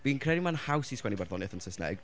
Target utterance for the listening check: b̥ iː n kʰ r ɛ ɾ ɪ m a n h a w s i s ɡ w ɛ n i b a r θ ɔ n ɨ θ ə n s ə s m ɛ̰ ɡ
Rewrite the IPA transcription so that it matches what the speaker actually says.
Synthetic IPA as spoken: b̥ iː n kʰ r ɛ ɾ i m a n h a w s i s k w ɛ n i b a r ð ɔ n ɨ θ ə n s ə s n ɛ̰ ɡ